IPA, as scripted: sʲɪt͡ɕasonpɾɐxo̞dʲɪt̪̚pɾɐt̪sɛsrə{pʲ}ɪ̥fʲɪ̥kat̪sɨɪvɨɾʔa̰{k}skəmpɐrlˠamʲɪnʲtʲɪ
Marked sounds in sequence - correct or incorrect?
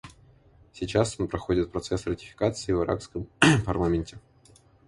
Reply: incorrect: tʲ, correct

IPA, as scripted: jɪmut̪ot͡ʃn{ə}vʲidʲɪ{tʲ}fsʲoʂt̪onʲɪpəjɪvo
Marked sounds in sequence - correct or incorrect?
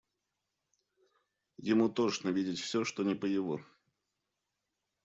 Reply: correct, correct

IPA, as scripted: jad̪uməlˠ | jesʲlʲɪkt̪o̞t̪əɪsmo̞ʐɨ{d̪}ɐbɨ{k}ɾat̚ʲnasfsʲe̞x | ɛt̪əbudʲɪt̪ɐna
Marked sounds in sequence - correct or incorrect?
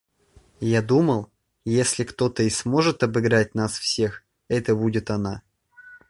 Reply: incorrect: t̪, incorrect: ɡ

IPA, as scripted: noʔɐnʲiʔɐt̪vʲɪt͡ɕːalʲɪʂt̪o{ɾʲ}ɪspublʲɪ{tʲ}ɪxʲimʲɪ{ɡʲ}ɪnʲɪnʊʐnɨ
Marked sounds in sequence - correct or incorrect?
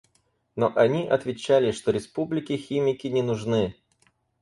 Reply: correct, incorrect: kʲ, incorrect: kʲ

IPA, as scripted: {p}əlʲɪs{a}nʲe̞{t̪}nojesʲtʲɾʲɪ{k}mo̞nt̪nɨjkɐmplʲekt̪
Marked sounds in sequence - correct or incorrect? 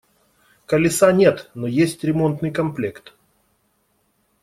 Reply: incorrect: k, correct, correct, incorrect: none

